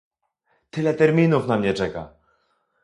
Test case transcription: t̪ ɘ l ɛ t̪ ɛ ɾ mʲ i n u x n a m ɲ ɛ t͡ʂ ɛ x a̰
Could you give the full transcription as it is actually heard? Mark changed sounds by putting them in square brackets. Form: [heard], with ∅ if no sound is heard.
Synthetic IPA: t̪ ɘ l ɛ t̪ ɛ ɾ mʲ i n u [f] n a m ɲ ɛ t͡ʂ ɛ [k] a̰